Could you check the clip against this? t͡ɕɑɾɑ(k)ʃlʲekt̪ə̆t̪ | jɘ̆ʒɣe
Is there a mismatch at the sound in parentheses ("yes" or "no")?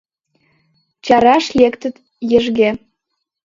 yes